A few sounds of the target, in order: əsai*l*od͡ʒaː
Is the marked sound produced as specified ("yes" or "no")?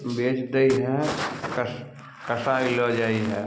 yes